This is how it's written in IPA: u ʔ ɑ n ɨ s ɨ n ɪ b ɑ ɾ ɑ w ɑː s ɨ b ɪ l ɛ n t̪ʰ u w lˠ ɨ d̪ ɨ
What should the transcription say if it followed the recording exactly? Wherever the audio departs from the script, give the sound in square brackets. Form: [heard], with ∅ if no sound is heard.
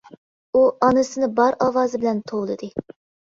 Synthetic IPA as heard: u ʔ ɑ n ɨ s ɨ n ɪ b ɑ ɾ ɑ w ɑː [z] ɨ b ɪ l ɛ n t̪ʰ [o] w lˠ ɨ d̪ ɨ